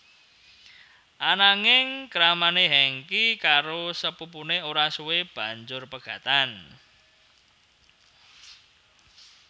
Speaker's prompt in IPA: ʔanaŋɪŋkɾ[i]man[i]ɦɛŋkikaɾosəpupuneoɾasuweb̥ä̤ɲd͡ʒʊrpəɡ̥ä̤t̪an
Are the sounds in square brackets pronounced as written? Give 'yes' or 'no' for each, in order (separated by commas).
no, no